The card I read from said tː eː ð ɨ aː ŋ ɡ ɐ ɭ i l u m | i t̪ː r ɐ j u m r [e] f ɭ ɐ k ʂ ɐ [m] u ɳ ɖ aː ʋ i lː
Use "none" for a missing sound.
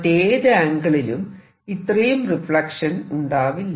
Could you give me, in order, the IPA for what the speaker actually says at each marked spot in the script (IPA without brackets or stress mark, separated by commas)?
i, n